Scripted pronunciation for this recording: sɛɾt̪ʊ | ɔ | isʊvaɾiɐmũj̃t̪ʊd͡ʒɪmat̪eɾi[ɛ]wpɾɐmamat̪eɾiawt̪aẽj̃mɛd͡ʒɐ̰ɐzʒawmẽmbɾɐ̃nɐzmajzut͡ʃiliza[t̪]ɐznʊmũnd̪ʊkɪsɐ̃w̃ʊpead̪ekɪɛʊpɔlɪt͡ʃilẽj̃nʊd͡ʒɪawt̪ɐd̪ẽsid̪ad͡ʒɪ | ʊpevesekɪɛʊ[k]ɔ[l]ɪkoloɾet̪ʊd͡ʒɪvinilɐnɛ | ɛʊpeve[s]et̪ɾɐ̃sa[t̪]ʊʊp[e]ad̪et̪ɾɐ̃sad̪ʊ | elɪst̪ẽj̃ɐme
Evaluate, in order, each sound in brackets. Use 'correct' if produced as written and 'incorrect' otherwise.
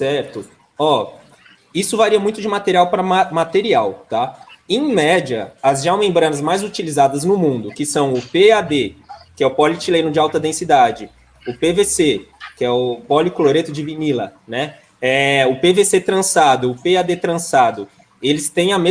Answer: incorrect: a, incorrect: d̪, incorrect: p, correct, correct, incorrect: d̪, correct

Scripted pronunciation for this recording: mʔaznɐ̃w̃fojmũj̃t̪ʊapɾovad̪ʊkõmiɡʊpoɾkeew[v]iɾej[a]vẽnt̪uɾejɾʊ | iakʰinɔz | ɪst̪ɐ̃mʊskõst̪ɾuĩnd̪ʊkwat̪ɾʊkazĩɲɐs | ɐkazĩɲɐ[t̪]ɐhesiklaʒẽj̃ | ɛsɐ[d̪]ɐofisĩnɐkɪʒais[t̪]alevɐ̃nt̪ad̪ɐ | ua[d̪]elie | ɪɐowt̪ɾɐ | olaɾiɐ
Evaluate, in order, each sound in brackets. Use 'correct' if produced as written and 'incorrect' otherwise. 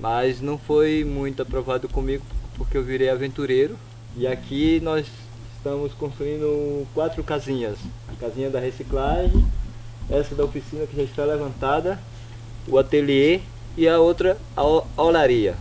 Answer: correct, correct, incorrect: d̪, correct, correct, incorrect: t̪

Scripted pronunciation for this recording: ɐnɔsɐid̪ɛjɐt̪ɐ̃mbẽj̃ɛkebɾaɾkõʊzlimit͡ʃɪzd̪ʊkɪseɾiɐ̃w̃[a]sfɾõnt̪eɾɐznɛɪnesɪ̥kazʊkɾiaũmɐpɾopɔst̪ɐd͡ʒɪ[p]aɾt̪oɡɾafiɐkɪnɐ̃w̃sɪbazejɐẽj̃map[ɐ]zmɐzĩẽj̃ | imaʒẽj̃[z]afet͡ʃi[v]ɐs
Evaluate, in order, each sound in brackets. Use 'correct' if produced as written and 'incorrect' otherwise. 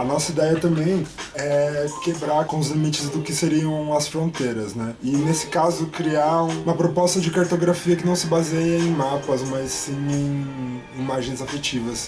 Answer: incorrect: ɐ, incorrect: k, correct, correct, correct

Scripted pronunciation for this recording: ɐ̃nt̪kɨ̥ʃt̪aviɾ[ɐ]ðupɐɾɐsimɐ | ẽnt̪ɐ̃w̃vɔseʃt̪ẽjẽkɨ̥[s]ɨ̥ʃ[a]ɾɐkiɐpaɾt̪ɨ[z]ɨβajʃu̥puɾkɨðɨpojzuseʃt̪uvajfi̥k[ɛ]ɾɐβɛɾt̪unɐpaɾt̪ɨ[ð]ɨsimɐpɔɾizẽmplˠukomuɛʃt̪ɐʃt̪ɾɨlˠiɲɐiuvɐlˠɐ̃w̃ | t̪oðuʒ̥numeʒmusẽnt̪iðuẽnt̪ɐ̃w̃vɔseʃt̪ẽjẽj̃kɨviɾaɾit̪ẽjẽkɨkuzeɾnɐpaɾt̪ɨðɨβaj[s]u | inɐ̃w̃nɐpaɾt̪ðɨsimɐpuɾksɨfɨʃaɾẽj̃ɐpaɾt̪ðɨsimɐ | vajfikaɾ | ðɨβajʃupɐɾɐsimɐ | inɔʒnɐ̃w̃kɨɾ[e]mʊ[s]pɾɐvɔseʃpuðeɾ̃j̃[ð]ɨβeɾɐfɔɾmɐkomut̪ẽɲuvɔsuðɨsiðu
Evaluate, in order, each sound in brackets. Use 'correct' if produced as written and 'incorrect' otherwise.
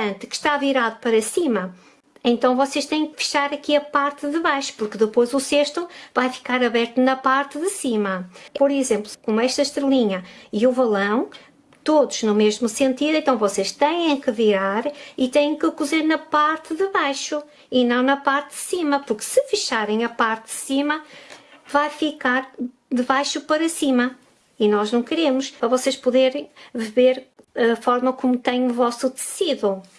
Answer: incorrect: a, incorrect: f, correct, incorrect: ð, incorrect: a, correct, incorrect: ʃ, correct, incorrect: ʃ, incorrect: v

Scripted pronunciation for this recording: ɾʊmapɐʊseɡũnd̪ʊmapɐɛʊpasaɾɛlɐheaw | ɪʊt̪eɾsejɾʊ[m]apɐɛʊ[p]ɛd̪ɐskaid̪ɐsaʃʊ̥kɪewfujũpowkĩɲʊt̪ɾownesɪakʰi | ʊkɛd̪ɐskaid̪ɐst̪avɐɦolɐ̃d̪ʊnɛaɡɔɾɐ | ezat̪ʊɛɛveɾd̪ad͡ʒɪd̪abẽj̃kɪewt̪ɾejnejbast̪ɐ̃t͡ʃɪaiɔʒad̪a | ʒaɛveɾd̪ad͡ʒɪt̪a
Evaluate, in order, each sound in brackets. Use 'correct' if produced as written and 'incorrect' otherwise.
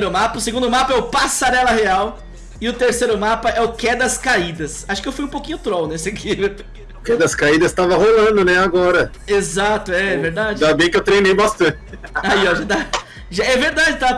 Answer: correct, incorrect: k

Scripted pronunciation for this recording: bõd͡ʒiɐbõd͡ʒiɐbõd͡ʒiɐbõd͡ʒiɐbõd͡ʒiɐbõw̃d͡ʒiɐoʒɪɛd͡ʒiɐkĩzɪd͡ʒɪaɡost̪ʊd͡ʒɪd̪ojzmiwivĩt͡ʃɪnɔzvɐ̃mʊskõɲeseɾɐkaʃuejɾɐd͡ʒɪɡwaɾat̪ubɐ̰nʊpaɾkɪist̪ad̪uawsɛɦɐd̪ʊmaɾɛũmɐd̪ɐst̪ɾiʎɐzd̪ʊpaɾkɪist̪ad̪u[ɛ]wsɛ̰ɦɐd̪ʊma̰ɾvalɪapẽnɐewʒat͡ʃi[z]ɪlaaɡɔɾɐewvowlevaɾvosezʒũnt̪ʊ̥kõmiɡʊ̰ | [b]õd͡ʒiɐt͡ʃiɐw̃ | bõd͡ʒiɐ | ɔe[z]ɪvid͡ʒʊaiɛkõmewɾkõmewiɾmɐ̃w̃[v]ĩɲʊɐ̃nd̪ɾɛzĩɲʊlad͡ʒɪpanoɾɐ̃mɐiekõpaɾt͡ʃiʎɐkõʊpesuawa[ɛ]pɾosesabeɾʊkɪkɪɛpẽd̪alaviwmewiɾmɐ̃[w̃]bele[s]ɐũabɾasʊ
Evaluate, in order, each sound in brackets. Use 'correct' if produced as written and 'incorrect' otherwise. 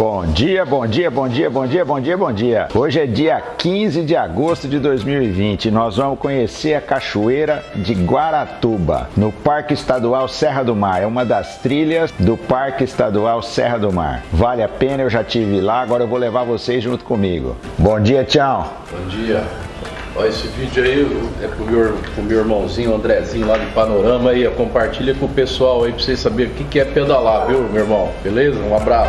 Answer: incorrect: a, incorrect: v, correct, incorrect: s, incorrect: z, incorrect: i, correct, incorrect: z

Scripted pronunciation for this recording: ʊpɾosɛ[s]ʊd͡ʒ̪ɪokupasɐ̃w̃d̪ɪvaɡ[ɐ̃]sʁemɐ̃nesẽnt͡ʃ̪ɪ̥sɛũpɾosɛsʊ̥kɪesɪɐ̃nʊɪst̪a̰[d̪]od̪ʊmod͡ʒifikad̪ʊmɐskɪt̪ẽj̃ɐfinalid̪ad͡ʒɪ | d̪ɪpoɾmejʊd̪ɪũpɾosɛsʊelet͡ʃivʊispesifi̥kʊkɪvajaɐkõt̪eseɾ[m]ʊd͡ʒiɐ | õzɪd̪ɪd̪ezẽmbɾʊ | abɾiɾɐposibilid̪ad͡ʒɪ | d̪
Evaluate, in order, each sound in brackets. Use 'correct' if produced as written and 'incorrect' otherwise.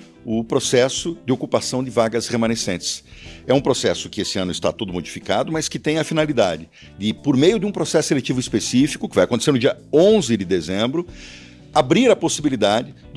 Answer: correct, incorrect: ɐ, incorrect: t̪, incorrect: n

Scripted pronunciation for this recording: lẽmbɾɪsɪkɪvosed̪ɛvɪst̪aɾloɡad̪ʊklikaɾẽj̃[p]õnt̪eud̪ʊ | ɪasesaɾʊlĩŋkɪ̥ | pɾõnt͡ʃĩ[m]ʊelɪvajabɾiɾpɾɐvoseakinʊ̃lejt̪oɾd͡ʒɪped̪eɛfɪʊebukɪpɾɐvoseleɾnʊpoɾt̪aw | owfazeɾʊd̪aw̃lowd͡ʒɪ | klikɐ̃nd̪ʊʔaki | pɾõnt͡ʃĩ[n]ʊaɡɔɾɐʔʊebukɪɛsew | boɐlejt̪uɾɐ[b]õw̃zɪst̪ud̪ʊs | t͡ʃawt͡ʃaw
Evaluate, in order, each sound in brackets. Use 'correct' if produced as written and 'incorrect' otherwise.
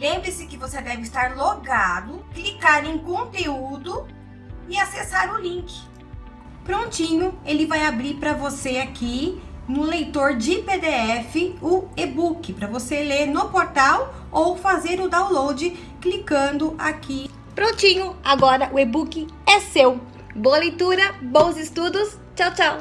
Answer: incorrect: k, incorrect: ɲ, incorrect: ɲ, correct

